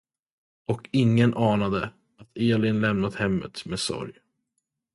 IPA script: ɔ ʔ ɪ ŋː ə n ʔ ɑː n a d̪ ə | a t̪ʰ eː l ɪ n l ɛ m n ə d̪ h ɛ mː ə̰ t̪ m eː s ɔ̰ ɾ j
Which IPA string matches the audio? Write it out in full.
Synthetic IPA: ɔ k ɪ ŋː ə n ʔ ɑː n a d̪ ə | a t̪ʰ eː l ɪ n l ɛ m n a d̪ h ɛ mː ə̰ t̪ m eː s ɔ̰ ɾ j